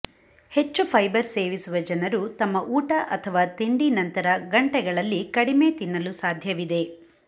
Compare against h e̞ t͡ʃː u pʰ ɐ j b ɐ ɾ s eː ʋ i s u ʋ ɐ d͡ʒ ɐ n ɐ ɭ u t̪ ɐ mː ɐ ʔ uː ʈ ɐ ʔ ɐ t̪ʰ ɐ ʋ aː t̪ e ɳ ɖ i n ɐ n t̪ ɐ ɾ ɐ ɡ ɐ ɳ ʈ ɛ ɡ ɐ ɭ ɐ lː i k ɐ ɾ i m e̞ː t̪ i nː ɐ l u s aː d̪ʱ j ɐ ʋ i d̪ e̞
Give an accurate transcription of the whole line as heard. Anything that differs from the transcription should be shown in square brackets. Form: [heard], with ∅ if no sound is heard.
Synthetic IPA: h e̞ t͡ʃː u pʰ ɐ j b ɐ ɾ s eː ʋ i s u ʋ ɐ d͡ʒ ɐ n ɐ [ɾ] u t̪ ɐ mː ɐ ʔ uː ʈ ɐ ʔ ɐ t̪ʰ ɐ ʋ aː t̪ e ɳ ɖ i n ɐ n t̪ ɐ ɾ ɐ ɡ ɐ ɳ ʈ ɛ ɡ ɐ ɭ ɐ lː i k ɐ [ɽ] i m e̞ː t̪ i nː ɐ l u s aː d̪ʱ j ɐ ʋ i d̪ e̞